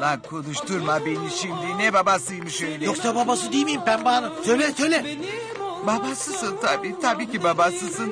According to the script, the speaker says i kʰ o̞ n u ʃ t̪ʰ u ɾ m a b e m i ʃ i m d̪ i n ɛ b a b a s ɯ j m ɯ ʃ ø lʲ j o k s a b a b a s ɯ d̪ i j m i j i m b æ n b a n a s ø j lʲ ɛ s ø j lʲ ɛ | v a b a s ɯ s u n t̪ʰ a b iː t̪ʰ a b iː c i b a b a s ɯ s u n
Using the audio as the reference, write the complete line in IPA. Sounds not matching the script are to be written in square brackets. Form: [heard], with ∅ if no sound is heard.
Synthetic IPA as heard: [a] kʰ o̞ n u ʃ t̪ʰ u ɾ m a b e [n] i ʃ i m d̪ i n ɛ b a b a s ɯ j m ɯ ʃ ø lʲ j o k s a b a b a s ɯ d̪ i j m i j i m b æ n b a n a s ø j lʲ ɛ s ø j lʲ ɛ | [b] a b a s ɯ s [ɯ] n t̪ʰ a b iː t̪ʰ a b iː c i b a b a s ɯ s [ɯ] n